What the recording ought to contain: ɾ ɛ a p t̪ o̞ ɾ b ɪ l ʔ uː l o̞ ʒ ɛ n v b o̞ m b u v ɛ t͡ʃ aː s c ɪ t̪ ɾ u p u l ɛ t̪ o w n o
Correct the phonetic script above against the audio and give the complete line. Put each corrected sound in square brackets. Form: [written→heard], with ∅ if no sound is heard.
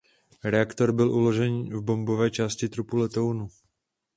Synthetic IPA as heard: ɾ ɛ a [p→k] t̪ o̞ ɾ b ɪ l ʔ [uː→u] l o̞ ʒ ɛ n v b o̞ m b [u→o] v [ɛ→ɛː] t͡ʃ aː s c ɪ t̪ ɾ u p u l ɛ t̪ o w n [o→u]